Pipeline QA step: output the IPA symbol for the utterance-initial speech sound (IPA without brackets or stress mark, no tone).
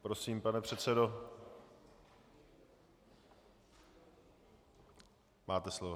p